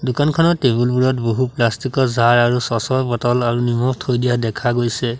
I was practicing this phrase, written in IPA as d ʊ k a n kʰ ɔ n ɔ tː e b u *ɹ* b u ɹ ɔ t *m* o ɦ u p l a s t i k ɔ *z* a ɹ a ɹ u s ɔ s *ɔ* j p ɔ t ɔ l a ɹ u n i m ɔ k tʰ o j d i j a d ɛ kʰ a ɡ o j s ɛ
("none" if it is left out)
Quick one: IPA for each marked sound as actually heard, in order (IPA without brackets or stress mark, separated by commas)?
l, b, z, ɔ